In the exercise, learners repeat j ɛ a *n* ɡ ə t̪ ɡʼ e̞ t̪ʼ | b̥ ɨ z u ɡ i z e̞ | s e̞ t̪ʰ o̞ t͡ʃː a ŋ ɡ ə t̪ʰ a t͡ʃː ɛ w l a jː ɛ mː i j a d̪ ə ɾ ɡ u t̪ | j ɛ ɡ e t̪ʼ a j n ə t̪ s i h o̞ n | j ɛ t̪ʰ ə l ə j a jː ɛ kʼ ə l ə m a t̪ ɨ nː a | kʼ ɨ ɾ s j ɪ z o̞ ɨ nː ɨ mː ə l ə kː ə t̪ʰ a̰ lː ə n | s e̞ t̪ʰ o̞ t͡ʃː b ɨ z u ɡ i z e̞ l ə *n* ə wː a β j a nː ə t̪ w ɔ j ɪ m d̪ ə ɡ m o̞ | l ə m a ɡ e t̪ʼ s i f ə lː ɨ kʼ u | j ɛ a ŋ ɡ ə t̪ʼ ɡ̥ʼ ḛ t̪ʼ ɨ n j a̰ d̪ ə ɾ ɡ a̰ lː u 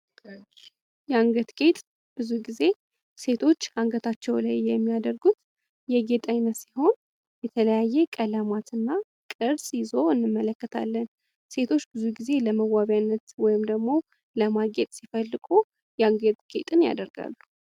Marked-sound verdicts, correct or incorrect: incorrect: ŋ, incorrect: m

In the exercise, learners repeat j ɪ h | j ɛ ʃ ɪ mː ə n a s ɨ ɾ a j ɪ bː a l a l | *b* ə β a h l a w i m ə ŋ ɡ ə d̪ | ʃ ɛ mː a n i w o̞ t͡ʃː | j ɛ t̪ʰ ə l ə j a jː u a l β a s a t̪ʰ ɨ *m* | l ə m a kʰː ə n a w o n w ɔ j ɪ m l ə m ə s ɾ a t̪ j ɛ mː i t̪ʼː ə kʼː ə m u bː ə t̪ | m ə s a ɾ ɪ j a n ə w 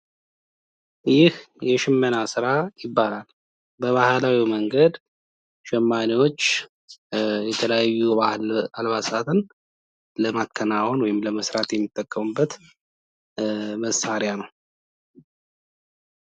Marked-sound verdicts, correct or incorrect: correct, incorrect: n

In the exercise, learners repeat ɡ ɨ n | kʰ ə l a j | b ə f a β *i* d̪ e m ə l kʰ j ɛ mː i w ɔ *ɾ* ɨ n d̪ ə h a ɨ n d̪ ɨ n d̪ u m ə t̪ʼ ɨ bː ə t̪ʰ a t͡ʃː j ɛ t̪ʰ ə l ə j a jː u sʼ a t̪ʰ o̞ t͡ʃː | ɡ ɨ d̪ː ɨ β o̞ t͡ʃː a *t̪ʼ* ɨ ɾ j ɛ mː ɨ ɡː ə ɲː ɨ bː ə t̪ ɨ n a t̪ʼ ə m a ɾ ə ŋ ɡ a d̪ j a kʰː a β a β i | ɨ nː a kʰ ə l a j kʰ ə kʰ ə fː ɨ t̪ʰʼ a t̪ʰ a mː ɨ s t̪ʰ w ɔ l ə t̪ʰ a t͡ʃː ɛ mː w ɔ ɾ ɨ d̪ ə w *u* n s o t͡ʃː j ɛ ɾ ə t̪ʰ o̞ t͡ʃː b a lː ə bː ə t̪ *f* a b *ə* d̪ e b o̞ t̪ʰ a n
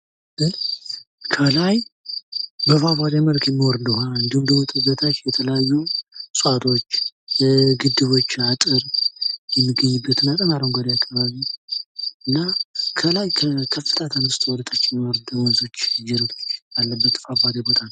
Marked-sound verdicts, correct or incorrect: incorrect: a, correct, correct, incorrect: ɔ, correct, incorrect: a

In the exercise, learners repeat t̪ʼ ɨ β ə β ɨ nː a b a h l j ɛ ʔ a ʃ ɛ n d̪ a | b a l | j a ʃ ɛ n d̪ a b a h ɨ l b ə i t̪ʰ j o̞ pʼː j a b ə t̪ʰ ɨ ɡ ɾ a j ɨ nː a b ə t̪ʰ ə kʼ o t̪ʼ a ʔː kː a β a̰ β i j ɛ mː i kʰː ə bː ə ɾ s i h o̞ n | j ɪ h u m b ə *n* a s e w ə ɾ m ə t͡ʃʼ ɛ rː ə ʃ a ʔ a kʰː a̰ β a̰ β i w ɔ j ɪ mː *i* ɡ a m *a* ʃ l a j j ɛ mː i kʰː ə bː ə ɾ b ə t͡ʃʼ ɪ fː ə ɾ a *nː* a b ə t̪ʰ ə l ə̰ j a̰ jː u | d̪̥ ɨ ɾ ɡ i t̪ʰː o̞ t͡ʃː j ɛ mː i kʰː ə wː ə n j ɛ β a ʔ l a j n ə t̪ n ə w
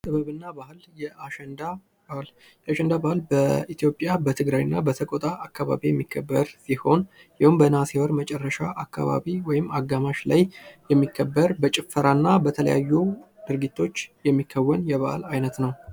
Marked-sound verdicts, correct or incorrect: correct, incorrect: a, correct, correct

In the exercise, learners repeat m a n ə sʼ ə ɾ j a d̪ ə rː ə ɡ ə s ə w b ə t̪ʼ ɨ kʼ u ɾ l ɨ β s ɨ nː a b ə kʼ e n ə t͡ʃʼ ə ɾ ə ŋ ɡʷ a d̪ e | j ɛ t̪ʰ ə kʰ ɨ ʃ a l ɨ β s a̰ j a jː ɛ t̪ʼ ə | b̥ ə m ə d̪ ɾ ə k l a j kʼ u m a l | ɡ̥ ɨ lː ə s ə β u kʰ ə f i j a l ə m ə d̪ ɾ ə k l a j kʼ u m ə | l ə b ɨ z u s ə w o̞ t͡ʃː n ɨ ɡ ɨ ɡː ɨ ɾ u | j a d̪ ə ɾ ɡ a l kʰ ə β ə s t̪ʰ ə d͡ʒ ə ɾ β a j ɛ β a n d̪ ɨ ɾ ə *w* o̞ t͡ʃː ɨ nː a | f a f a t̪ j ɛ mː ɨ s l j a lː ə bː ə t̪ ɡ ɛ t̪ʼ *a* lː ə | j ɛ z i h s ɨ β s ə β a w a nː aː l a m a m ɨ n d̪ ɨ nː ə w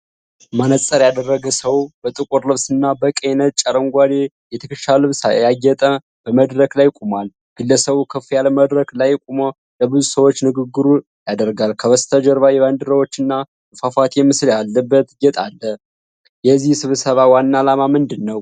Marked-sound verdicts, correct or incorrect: correct, correct

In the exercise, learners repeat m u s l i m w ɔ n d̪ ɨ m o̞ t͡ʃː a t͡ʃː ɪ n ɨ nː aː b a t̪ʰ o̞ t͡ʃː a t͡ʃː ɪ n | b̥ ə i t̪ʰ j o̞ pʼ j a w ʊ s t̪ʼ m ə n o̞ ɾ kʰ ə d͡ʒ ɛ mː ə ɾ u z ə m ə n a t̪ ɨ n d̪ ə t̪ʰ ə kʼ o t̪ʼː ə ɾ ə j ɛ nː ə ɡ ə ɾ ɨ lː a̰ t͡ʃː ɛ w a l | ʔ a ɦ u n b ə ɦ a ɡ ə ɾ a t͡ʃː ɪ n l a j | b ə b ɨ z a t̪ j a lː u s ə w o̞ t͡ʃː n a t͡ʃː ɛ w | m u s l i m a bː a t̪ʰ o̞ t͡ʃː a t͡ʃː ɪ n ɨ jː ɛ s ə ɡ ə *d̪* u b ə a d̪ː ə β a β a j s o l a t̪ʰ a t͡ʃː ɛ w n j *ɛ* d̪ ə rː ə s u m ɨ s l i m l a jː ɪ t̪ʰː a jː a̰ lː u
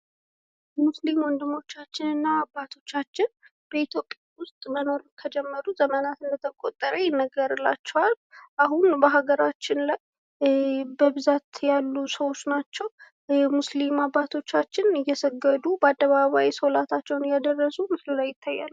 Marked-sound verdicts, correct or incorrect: correct, incorrect: a

